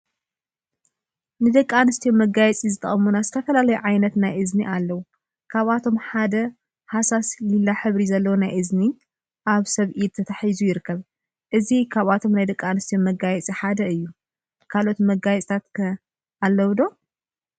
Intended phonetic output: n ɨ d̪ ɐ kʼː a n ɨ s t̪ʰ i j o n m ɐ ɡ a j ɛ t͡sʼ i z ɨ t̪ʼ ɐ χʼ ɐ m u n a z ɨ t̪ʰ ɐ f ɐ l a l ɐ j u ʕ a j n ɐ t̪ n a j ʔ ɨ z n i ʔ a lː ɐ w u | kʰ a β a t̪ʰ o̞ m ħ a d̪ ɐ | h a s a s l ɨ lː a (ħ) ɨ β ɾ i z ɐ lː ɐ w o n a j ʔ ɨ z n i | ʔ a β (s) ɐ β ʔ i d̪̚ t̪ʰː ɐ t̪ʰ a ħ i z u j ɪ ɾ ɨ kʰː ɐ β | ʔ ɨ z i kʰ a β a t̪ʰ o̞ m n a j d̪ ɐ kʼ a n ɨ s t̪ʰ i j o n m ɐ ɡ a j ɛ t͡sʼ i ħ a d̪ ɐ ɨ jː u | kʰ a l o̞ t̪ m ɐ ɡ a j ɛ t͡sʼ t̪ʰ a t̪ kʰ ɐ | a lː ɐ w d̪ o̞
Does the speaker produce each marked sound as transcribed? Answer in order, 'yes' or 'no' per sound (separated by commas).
yes, yes